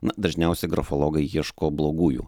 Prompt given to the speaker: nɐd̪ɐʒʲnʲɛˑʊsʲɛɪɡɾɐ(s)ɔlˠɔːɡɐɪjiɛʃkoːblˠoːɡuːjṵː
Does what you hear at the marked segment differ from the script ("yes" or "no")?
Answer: yes